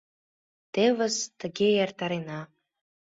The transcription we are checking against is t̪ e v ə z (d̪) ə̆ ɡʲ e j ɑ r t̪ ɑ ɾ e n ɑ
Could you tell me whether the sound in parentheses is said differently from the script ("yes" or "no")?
yes